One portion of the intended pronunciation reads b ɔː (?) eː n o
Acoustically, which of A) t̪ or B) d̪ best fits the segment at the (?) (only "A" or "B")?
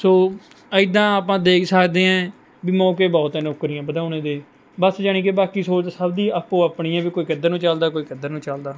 A